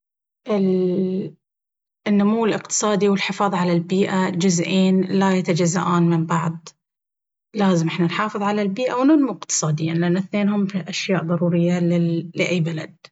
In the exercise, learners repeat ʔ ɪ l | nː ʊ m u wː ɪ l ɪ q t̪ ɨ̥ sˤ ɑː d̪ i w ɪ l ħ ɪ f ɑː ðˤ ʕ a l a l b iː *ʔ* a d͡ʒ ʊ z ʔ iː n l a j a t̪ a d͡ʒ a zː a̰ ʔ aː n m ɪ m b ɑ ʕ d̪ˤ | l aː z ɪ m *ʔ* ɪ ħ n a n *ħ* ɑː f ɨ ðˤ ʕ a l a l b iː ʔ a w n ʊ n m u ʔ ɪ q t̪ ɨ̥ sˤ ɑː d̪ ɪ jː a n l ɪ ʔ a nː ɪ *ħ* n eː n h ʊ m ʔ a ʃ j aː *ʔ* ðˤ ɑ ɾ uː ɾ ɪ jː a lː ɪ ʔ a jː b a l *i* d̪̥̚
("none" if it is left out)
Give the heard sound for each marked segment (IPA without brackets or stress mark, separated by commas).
ʔ, ʔ, ħ, θ, ʔ, a